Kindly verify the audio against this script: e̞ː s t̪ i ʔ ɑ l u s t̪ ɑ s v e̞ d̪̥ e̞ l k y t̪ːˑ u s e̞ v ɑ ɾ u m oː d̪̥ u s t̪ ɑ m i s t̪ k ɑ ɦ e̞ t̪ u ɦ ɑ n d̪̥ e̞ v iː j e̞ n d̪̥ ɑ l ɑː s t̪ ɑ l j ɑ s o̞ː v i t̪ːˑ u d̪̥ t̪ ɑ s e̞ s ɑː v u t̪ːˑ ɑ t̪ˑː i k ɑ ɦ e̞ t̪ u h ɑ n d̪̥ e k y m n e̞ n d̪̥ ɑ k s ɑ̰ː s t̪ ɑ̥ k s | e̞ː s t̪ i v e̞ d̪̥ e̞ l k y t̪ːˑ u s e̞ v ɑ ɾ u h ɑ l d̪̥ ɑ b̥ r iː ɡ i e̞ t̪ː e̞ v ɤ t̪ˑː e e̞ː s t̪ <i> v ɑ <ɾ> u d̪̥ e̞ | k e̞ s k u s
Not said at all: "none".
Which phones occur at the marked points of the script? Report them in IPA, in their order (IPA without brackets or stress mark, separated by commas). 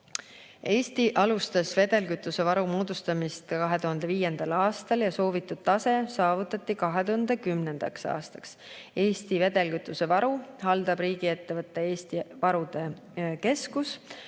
i, ɾ